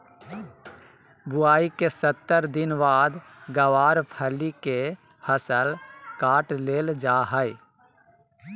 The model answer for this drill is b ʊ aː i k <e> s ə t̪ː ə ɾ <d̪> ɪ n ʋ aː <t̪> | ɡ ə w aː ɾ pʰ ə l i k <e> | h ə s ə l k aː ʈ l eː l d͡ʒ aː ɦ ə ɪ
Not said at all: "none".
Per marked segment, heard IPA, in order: e, d̪, d̪, e

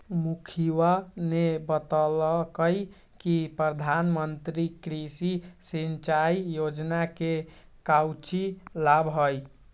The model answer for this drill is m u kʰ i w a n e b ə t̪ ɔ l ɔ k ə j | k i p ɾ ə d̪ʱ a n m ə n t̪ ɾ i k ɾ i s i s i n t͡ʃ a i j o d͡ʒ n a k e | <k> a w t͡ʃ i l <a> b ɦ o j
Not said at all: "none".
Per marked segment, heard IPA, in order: k, a

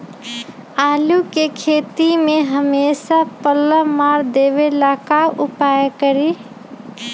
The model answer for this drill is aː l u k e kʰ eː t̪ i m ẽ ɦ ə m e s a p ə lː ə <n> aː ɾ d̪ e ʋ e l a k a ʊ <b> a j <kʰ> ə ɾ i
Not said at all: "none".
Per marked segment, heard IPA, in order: m, p, k

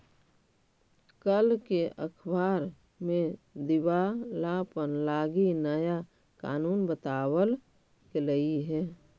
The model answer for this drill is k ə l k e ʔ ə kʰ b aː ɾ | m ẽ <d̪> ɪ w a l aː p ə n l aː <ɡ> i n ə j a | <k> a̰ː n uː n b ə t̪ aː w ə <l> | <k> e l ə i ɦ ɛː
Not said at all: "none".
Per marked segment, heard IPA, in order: d̪, ɡ, k, l, k

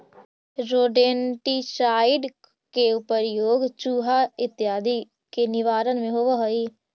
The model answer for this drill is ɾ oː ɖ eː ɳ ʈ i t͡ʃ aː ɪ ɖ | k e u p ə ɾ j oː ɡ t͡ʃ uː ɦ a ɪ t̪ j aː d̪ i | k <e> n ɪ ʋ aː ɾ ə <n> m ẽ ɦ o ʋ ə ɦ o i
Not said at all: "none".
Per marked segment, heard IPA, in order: e, n

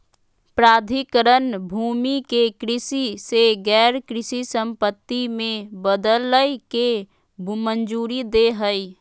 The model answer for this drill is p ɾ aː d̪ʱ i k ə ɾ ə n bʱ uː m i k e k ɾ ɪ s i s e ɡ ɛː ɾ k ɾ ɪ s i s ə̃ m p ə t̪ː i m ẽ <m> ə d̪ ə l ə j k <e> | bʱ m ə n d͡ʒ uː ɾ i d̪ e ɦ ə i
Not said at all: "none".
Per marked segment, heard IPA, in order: b, e

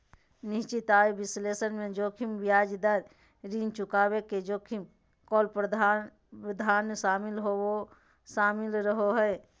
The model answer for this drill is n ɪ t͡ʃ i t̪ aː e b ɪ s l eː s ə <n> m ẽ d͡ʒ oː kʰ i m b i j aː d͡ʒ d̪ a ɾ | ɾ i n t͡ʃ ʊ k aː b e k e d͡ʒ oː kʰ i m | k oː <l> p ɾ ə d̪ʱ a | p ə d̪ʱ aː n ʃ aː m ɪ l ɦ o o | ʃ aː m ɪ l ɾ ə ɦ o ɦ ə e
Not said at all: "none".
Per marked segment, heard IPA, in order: n, l

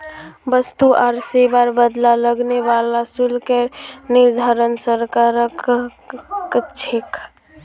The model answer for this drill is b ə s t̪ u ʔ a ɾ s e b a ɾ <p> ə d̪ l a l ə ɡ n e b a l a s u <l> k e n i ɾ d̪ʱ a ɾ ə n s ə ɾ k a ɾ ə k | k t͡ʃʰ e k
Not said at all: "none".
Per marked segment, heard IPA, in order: b, l

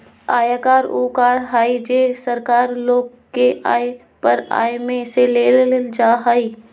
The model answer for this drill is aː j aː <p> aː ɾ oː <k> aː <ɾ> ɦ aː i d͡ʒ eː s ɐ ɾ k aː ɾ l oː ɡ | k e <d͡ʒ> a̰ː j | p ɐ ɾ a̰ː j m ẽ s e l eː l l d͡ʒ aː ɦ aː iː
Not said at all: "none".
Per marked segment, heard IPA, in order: k, k, ɾ, none

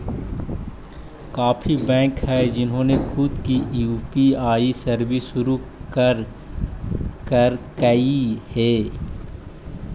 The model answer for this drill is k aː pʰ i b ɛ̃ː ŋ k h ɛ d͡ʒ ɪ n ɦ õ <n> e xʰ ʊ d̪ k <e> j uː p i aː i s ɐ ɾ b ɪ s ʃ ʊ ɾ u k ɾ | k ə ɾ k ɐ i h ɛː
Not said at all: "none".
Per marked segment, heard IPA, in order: n, i

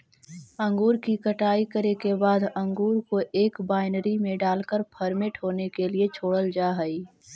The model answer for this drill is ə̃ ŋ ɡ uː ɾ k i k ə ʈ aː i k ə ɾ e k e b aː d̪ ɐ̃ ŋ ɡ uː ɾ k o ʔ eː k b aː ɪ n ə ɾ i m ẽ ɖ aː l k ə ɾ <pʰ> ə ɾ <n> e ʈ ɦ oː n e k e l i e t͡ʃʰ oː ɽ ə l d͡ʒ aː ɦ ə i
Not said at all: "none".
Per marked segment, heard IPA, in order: pʰ, m

